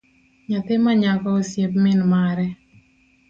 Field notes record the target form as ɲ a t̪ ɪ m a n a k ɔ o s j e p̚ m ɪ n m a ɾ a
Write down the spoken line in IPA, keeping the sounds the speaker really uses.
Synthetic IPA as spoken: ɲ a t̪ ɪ m a ɲ a k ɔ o s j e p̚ m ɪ n m a ɾ ɛ